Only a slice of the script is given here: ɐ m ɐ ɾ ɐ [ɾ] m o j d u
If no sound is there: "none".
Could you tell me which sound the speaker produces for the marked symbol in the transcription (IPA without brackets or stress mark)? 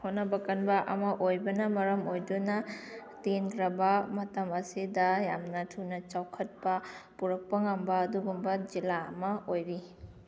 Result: none